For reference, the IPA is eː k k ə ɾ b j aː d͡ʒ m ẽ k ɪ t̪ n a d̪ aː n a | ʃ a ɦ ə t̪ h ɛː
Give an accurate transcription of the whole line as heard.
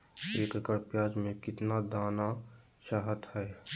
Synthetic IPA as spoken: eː k k ə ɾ p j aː d͡ʒ m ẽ k ɪ t̪ n a d̪ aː n a | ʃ a ɦ ə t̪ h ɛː